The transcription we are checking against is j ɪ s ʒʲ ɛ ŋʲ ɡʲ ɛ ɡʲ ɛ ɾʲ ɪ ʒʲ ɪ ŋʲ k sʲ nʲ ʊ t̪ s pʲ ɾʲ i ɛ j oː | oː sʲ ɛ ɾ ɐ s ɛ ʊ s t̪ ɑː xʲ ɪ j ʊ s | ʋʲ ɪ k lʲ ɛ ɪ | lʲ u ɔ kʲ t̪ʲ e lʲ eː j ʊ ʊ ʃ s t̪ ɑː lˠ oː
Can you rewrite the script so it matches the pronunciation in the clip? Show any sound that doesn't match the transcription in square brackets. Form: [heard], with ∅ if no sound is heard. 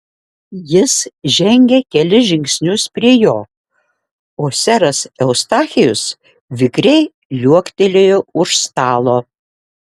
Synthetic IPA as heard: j ɪ s ʒʲ ɛ ŋʲ ɡʲ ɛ [kʲ] ɛ [lʲ] ɪ ʒʲ ɪ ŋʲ k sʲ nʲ ʊ [∅] s pʲ ɾʲ i ɛ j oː | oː sʲ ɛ ɾ ɐ s ɛ ʊ s t̪ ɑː xʲ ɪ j ʊ s | ʋʲ ɪ k [ɾʲ] ɛ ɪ | lʲ u ɔ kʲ t̪ʲ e lʲ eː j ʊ ʊ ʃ s t̪ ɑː lˠ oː

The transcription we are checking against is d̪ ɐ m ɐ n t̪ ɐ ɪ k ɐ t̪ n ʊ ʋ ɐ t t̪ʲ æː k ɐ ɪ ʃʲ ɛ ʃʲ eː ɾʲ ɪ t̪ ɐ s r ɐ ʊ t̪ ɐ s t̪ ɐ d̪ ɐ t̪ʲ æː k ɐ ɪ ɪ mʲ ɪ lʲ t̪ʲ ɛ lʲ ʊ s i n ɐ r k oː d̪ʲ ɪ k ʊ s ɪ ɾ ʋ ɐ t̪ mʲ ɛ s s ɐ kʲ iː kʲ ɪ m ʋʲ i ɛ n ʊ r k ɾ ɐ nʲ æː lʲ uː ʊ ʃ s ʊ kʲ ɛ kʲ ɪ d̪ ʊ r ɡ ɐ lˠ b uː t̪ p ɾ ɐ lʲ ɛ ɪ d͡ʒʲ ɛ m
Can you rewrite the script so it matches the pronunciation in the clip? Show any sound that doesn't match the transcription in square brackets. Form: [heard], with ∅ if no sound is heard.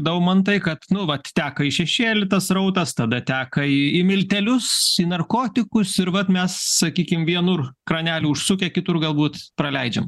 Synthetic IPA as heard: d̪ ɐ m ɐ n t̪ ɐ ɪ k ɐ t̪ n ʊ ʋ ɐ t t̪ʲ æː k ɐ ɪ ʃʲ ɛ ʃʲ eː [lʲ] ɪ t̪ ɐ s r ɐ ʊ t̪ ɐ s t̪ ɐ d̪ ɐ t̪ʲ æː k ɐ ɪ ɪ mʲ ɪ lʲ t̪ʲ ɛ lʲ ʊ s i n ɐ r k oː [t̪ʲ] ɪ k ʊ s ɪ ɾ ʋ ɐ t̪ mʲ ɛ s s ɐ kʲ iː kʲ ɪ m ʋʲ i ɛ n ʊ r k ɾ ɐ nʲ æː lʲ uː ʊ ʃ s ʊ kʲ ɛ kʲ ɪ [t̪] ʊ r ɡ ɐ lˠ b uː t̪ p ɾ ɐ lʲ ɛ ɪ d͡ʒʲ ɛ m

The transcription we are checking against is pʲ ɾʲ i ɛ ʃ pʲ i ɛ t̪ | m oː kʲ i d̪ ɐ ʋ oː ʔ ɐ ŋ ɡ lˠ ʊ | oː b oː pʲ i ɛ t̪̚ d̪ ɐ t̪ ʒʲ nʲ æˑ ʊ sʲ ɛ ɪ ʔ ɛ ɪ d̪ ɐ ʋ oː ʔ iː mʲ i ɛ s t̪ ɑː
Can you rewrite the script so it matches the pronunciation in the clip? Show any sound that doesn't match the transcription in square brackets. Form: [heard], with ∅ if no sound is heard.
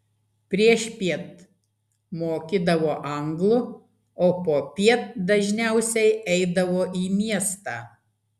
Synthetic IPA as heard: pʲ ɾʲ i ɛ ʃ pʲ i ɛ t̪ | m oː kʲ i d̪ ɐ ʋ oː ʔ ɐ ŋ ɡ lˠ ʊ | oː [p] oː pʲ i ɛ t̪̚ d̪ ɐ [∅] ʒʲ nʲ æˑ ʊ sʲ ɛ ɪ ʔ ɛ ɪ d̪ ɐ ʋ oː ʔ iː mʲ i ɛ s t̪ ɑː

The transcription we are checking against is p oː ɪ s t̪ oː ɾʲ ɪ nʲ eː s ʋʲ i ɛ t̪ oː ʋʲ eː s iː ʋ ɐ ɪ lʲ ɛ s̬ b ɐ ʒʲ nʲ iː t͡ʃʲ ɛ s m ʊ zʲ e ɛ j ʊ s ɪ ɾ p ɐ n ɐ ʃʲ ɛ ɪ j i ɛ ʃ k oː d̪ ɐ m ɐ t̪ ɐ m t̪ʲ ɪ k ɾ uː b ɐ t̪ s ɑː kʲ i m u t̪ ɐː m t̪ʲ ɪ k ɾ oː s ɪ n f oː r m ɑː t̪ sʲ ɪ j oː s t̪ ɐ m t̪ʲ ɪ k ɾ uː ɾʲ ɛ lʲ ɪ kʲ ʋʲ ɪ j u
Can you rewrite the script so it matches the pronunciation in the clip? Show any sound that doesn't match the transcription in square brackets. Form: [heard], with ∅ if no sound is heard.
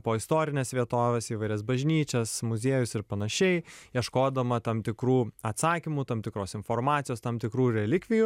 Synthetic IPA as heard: p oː ɪ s t̪ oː ɾʲ ɪ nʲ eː s ʋʲ i ɛ t̪ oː ʋʲ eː s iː ʋ ɐ ɪ [ɾʲ] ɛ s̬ b ɐ ʒʲ nʲ iː t͡ʃʲ ɛ s m ʊ zʲ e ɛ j ʊ s ɪ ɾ p ɐ n ɐ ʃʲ ɛ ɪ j i ɛ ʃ k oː d̪ ɐ m ɐ t̪ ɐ m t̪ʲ ɪ k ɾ uː [∅] ɐ t̪ s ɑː kʲ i m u t̪ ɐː m t̪ʲ ɪ k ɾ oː s ɪ n f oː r m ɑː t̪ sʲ ɪ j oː s t̪ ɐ m t̪ʲ ɪ k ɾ uː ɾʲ ɛ lʲ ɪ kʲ ʋʲ ɪ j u

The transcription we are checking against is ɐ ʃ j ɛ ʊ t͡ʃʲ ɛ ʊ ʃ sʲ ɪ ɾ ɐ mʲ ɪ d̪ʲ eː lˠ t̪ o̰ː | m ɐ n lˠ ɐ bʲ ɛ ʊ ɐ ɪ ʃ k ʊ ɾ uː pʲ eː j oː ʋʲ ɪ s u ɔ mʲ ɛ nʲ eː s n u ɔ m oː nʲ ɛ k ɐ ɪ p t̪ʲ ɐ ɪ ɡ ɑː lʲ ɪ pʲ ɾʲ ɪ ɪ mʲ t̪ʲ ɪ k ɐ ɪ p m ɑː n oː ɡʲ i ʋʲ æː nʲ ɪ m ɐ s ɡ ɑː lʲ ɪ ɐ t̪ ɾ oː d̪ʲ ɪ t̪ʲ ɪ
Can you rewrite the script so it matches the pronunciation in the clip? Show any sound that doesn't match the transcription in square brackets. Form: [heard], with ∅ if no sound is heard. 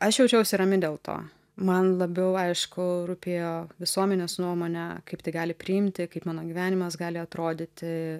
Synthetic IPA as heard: ɐ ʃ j ɛ ʊ t͡ʃʲ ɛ ʊ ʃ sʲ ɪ ɾ ɐ mʲ ɪ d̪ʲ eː lˠ t̪ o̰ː | m ɐ n lˠ ɐ bʲ ɛ ʊ ɐ ɪ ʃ k ʊ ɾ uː pʲ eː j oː ʋʲ ɪ s u ɔ mʲ ɛ nʲ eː s n u ɔ m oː nʲ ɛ k ɐ ɪ p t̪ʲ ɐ ɪ ɡ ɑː lʲ ɪ pʲ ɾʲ ɪ ɪ mʲ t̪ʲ ɪ k ɐ ɪ p m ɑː n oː ɡʲ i ʋʲ æː nʲ ɪ m ɐ s ɡ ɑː lʲ ɪ ɐ t̪ ɾ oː d̪ʲ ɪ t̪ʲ ɪ

